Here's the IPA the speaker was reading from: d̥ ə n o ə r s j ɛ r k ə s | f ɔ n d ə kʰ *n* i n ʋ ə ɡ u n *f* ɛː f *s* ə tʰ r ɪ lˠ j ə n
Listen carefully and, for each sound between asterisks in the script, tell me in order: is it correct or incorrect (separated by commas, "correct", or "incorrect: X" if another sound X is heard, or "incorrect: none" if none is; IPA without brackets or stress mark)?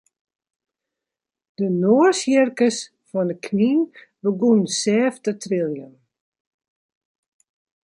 correct, incorrect: s, incorrect: t